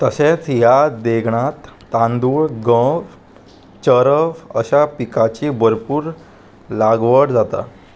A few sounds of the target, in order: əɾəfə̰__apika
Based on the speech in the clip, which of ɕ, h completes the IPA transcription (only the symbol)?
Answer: ɕ